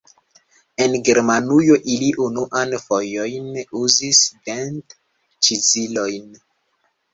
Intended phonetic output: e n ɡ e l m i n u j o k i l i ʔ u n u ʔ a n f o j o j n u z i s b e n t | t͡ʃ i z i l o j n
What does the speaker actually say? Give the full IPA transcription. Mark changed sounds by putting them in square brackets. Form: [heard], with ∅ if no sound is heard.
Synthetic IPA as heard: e n ɡ e [ɾ] m [a] n u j o [ʔ] i l i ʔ u n u ʔ a n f o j o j n u z i s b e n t | t͡ʃ i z i l o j n

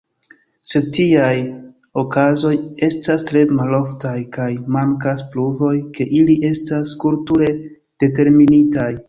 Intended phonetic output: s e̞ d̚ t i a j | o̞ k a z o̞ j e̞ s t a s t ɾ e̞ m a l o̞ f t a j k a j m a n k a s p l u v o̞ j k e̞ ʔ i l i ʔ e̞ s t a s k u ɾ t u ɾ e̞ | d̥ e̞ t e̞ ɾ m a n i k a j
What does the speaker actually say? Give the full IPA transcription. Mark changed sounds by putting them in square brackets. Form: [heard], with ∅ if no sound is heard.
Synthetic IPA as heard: s e̞ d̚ t i a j | o̞ k a z o̞ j e̞ s t a s t ɾ e̞ m a l o̞ f t a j k a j m a [ŋ] k a s p l u v o̞ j k e̞ ʔ i l i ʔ e̞ s t a s k u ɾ t u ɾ e̞ | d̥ e̞ t e̞ ɾ m [i] n i [t] a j

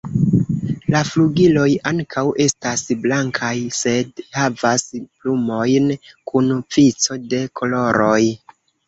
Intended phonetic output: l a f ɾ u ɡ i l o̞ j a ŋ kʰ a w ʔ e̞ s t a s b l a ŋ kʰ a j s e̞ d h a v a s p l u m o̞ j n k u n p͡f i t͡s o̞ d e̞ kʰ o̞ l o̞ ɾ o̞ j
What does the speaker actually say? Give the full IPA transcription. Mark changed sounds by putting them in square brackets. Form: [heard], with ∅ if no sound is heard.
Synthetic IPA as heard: l a f [l] u ɡ i l o̞ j a ŋ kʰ a w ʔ e̞ s t a s b l a ŋ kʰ a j s e̞ d h a v a s p l u m o̞ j n k u n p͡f i t͡s o̞ d e̞ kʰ o̞ l o̞ ɾ o̞ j

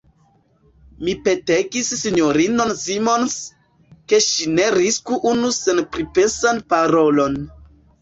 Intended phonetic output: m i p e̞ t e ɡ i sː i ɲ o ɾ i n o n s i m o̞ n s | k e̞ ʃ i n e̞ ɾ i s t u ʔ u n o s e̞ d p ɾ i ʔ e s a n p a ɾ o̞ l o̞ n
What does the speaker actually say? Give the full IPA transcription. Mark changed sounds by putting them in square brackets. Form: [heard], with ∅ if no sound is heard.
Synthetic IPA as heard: m i p e̞ t e ɡ i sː i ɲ o ɾ i n o n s i m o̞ n s | k e̞ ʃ i n e̞ ɾ i s [k] u ʔ u n [u] s e̞ [n] p ɾ i [p] e s a n p a ɾ o̞ l o̞ n

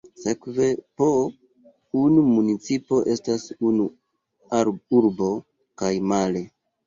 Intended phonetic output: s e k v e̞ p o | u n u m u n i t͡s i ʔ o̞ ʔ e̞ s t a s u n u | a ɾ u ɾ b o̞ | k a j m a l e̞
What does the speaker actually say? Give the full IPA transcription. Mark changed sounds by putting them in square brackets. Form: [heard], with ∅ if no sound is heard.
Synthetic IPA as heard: s e k v e̞ p o | u n u m u n i t͡s i [p] o̞ ʔ e̞ s t a s u n u | a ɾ u ɾ b o̞ | k a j m a l e̞

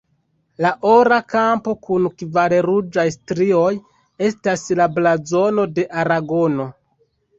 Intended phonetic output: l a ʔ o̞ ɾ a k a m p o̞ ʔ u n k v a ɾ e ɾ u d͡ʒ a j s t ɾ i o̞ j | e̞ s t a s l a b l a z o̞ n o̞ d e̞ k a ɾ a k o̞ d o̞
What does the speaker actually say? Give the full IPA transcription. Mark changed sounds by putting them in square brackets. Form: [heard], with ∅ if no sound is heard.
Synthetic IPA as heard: l a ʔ o̞ ɾ a k a m p o̞ [k] u n k v a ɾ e ɾ u d͡ʒ a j s t ɾ i o̞ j | e̞ s t a s l a b l a z o̞ n o̞ d e̞ [ʔ] a ɾ a [ɡ] o̞ [n] o̞

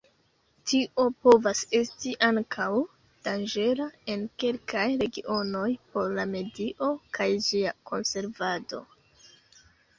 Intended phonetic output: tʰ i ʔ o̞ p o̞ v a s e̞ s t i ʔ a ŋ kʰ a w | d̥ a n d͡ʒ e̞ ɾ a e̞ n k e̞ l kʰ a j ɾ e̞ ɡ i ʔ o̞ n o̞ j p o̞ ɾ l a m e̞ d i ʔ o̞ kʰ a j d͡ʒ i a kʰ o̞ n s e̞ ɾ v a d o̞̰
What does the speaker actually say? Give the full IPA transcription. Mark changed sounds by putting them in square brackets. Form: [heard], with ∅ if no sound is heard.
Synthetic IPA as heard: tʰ i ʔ o̞ p o̞ v a s e̞ s t i ʔ a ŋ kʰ a w | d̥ a n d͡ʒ e̞ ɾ a e̞ n k e̞ l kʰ a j ɾ e̞ ɡ i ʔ o̞ n o̞ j p o̞ ɾ l a m e̞ d i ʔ o̞ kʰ a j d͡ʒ i a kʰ o̞ n s e̞ ɾ v a d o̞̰

